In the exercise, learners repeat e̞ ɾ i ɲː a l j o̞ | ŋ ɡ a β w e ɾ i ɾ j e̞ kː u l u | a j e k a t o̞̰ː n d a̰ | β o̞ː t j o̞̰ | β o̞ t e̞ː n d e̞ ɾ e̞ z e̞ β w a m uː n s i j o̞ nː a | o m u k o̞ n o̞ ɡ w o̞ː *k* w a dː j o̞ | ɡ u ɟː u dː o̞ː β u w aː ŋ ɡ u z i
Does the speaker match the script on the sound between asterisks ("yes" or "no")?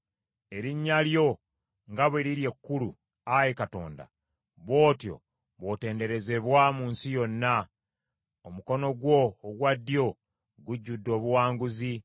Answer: no